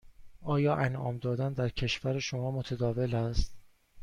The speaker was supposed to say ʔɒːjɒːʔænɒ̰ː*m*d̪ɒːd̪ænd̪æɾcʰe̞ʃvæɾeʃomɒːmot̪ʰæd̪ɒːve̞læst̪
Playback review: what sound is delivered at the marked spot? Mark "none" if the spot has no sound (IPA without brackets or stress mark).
m